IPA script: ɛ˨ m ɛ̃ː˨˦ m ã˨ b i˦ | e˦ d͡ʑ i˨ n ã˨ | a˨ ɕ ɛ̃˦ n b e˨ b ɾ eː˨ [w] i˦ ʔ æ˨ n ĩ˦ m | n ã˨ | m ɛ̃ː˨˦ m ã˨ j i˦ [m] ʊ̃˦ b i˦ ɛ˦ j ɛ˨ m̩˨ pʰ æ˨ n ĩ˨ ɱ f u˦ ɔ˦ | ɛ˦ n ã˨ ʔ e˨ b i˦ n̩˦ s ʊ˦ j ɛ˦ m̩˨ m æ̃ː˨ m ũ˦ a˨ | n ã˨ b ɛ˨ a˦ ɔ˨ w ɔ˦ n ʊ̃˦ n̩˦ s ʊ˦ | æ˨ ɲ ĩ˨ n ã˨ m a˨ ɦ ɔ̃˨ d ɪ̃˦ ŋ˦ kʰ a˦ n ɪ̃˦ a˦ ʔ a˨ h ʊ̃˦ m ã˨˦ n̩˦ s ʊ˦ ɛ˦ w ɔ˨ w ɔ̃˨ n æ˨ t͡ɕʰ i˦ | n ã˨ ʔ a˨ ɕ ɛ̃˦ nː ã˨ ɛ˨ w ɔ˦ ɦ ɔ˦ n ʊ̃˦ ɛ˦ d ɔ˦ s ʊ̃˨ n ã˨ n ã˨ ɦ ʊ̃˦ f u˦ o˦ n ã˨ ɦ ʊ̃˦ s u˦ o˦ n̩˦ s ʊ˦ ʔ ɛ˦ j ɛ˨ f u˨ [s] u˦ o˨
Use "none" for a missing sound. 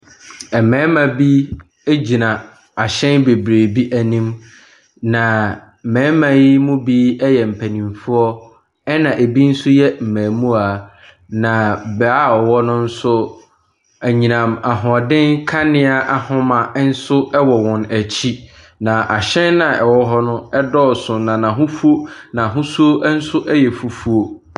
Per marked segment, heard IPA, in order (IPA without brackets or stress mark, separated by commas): b, m, f